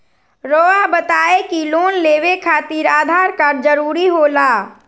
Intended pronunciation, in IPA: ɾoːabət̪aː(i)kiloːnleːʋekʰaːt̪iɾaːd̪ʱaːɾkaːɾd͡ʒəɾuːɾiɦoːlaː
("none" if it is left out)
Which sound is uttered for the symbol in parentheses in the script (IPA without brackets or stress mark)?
e